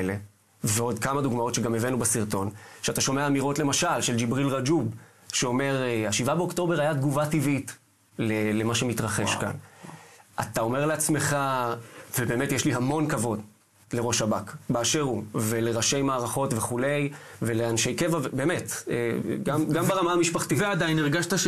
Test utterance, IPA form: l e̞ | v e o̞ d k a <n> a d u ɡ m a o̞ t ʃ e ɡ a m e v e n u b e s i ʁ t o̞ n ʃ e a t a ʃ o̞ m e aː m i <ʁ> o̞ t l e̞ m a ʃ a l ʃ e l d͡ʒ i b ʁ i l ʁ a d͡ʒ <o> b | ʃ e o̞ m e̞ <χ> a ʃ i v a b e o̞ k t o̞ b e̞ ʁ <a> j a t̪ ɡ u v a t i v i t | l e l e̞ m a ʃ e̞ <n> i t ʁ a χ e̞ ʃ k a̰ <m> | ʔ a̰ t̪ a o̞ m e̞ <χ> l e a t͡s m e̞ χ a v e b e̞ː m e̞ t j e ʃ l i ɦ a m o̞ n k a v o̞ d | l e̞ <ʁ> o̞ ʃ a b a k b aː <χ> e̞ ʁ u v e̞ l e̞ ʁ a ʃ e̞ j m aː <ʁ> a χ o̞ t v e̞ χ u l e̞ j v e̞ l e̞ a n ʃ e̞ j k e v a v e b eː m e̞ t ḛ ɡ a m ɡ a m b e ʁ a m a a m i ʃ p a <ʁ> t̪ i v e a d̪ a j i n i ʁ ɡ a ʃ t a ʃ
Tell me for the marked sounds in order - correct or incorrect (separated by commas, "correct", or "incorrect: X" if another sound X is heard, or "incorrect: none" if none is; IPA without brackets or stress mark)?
incorrect: m, correct, incorrect: u, incorrect: ʁ, correct, incorrect: m, incorrect: n, incorrect: ʁ, correct, incorrect: ʃ, correct, incorrect: χ